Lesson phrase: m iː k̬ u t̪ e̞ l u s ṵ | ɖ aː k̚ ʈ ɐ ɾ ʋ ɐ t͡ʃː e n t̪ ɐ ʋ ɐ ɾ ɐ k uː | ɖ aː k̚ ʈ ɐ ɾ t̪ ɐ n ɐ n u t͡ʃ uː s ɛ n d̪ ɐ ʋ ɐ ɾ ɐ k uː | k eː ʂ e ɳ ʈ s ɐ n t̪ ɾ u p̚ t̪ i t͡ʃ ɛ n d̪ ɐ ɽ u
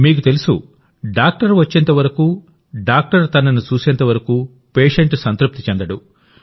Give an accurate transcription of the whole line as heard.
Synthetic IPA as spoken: m iː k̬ u t̪ e̞ l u s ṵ | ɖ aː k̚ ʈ ɐ ɾ ʋ ɐ t͡ʃː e n t̪ ɐ ʋ ɐ ɾ ɐ k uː | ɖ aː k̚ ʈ ɐ ɾ t̪ ɐ n ɐ n u t͡ʃ uː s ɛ n t̪ ɐ ʋ ɐ ɾ ɐ k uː | p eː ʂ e ɳ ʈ s ɐ n t̪ ɾ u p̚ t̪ i t͡ʃ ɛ n d̪ ɐ ɽ u